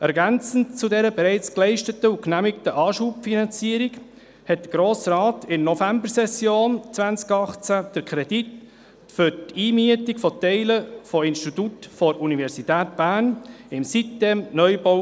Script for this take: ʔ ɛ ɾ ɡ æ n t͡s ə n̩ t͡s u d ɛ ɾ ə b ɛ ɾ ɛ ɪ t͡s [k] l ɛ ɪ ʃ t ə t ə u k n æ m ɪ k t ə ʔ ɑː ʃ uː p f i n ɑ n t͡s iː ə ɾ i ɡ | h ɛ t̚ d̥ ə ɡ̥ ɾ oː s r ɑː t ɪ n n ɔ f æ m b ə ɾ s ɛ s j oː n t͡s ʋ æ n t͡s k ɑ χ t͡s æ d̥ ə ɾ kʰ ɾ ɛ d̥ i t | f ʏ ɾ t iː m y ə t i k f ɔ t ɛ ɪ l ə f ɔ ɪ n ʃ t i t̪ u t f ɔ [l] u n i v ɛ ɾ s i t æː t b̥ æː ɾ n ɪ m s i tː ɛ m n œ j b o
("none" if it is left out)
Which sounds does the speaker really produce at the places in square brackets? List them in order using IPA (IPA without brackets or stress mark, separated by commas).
k, ɾ